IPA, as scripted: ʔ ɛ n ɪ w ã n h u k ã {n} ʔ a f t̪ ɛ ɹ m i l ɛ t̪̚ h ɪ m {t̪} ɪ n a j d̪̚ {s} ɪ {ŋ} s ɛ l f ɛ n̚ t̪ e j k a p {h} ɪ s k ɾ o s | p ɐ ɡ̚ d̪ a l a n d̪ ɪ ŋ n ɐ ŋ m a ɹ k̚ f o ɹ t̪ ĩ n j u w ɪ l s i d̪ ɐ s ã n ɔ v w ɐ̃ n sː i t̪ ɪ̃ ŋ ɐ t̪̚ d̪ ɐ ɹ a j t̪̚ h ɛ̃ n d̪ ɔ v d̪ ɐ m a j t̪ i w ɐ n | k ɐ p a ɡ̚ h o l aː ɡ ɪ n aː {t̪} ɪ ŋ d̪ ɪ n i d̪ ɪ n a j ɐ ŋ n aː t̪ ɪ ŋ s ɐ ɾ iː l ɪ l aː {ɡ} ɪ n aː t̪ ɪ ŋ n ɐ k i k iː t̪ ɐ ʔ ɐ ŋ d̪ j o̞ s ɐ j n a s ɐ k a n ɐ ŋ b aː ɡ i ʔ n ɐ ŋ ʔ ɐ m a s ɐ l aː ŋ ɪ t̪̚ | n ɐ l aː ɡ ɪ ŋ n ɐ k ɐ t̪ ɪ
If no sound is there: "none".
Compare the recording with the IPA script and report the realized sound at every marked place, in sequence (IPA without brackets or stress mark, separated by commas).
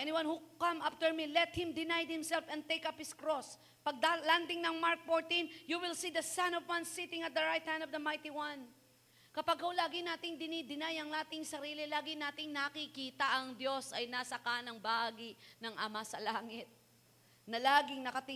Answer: m, d̪, h, m, h, t̪, ɡ